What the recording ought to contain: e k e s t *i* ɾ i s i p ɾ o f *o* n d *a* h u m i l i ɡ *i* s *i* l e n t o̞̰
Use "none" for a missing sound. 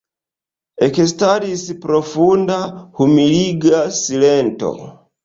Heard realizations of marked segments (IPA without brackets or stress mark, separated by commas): a, u, a, a, i